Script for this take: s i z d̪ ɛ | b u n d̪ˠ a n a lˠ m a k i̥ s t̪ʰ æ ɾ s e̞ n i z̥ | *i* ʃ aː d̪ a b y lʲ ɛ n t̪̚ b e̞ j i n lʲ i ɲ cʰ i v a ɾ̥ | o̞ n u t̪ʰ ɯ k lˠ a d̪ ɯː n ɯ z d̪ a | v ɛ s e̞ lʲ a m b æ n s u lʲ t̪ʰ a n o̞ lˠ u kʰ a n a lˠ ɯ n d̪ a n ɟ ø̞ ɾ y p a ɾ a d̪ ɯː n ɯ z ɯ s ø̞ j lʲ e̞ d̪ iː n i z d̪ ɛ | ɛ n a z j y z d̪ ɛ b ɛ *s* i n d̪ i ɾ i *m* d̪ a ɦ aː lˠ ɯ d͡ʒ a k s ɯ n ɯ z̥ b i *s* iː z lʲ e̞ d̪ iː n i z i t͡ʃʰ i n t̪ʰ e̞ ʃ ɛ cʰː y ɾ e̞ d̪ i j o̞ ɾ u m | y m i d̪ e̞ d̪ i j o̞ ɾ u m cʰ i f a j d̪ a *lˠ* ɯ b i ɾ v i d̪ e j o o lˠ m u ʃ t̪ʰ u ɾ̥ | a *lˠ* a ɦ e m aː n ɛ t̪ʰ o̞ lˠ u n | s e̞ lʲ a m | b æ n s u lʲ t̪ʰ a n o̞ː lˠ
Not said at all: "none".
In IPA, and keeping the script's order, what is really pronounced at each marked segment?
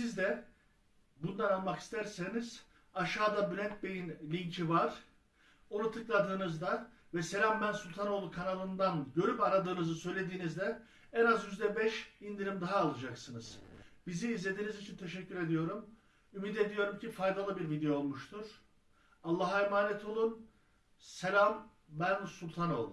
a, ʃ, m, z, lˠ, lˠː

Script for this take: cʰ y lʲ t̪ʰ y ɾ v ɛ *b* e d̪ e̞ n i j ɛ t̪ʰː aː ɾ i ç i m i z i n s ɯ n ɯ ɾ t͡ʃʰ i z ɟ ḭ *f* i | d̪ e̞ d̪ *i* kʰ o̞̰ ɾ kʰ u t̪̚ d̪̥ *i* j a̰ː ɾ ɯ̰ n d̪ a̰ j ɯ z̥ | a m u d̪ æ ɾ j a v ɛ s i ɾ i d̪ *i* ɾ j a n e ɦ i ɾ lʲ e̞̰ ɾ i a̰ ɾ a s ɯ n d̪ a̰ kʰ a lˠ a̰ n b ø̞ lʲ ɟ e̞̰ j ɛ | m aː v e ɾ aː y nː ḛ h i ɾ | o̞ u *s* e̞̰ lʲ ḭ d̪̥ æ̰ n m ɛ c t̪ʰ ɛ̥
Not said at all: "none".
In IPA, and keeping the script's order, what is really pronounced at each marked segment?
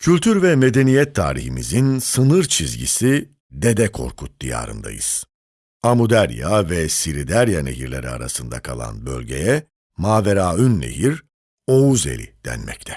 m, s, ɛ, i, æ, z

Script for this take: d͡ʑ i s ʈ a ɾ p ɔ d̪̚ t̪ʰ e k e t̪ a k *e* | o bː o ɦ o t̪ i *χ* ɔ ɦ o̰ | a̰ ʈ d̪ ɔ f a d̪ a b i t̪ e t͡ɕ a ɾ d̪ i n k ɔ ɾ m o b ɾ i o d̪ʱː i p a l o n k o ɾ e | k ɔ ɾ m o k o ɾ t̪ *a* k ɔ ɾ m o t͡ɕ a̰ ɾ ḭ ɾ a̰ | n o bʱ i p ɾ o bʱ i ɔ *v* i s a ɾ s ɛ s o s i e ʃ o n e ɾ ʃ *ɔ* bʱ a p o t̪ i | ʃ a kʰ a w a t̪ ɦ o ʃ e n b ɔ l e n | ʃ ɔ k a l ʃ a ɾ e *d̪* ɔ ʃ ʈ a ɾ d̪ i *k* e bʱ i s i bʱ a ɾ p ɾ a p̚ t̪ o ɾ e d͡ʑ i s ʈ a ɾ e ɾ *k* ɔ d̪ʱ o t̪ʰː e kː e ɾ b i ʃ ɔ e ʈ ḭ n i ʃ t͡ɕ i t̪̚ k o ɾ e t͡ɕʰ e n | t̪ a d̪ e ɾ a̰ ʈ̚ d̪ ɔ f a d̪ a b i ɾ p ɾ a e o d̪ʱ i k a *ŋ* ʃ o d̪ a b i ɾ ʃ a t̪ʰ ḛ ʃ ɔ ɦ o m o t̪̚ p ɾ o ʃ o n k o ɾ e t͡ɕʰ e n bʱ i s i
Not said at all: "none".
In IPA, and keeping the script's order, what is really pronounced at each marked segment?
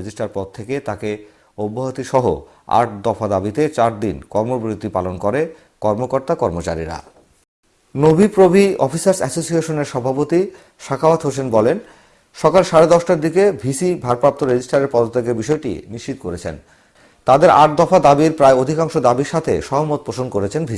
e, ʃ, a, f, ɔ, d̪, k, p, ŋ

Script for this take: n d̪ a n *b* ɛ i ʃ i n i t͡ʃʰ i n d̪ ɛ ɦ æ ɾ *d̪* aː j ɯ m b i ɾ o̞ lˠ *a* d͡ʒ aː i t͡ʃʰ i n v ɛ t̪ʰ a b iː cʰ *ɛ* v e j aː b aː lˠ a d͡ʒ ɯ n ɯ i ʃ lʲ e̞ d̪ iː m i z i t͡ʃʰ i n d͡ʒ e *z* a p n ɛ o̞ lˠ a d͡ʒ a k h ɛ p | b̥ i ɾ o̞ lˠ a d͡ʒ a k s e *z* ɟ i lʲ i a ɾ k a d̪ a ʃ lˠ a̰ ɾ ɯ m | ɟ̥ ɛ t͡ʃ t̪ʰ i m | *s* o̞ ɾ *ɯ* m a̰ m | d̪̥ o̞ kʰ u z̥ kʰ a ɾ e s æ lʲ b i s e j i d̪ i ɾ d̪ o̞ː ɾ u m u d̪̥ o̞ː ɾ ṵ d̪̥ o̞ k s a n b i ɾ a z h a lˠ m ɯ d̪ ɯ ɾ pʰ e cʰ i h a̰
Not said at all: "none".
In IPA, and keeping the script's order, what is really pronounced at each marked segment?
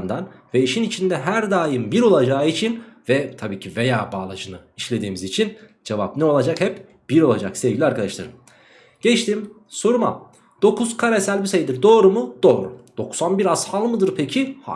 v, d̪, a, i, v, v, s, u

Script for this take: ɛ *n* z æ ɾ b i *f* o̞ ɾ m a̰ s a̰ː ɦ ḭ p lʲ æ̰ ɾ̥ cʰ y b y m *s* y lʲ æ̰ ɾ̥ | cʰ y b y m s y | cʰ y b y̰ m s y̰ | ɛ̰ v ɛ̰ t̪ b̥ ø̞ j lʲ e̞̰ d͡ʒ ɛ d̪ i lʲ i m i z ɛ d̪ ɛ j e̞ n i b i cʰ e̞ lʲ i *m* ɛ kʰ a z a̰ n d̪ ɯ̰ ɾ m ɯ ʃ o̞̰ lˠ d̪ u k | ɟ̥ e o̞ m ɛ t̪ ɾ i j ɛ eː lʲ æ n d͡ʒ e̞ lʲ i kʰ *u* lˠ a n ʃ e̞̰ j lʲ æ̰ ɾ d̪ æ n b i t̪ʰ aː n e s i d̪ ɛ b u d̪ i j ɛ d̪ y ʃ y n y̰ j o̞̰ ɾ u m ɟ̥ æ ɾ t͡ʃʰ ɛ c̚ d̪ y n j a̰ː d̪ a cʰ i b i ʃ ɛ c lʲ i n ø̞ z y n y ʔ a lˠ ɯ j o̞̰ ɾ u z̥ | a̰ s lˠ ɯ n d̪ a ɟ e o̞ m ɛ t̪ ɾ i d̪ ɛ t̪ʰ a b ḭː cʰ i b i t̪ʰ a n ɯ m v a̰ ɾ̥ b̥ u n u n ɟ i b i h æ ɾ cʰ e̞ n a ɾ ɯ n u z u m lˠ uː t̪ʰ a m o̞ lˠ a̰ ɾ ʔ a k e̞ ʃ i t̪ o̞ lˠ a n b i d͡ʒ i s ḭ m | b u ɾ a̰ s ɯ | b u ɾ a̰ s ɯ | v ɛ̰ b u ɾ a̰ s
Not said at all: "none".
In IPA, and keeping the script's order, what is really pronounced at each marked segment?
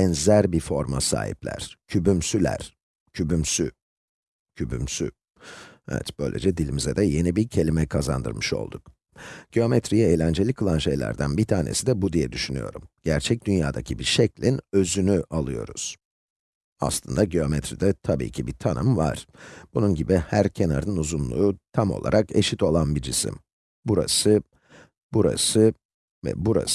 n, f, s, m, ɯ

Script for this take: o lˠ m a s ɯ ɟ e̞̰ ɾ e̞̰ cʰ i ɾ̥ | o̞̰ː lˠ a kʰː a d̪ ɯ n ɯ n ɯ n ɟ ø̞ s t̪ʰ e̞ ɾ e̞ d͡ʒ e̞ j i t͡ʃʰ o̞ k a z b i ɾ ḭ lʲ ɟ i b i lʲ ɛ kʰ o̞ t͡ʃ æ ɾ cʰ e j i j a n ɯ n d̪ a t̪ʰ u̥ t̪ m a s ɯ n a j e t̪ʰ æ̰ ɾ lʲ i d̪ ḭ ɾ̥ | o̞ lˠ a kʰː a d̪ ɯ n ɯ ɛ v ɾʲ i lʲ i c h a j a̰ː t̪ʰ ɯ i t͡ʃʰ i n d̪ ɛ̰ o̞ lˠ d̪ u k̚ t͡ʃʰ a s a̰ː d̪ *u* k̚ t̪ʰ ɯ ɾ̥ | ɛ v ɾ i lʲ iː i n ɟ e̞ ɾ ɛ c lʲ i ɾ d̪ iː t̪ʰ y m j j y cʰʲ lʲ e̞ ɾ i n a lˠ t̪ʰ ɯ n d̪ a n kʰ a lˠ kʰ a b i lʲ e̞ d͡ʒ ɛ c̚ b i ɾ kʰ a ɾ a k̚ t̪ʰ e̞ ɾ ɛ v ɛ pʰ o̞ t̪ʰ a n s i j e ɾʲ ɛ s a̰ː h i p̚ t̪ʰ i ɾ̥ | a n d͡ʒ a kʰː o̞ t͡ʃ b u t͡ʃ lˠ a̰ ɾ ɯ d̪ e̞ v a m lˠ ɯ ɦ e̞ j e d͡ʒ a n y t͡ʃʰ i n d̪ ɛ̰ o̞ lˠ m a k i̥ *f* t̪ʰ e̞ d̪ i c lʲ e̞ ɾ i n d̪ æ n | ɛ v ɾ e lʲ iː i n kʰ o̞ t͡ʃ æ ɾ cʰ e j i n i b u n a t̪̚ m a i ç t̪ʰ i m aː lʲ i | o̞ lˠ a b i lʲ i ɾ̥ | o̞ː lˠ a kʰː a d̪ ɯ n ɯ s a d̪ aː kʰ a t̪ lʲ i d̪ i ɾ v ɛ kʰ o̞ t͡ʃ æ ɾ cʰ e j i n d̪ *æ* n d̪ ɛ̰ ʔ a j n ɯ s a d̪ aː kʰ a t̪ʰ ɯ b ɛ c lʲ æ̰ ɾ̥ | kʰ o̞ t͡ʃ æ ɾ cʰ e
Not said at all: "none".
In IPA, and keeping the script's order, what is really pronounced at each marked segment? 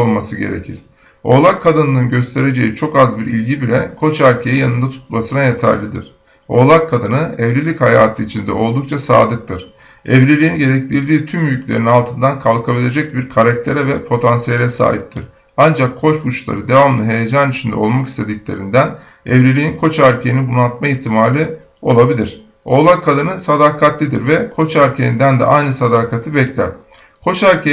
ɯ, s, æ

